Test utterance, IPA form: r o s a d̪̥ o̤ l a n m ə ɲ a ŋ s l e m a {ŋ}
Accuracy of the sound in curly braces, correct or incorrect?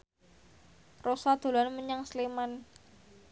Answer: incorrect